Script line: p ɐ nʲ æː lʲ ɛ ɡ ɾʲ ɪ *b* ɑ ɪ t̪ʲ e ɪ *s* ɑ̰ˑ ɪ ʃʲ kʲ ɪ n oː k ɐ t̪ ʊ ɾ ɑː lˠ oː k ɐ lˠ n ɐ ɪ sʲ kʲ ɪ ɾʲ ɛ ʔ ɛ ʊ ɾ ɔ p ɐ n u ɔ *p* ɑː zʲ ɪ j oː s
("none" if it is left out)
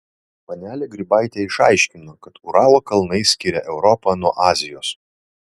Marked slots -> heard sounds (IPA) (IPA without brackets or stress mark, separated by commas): b, ʃ, ʔ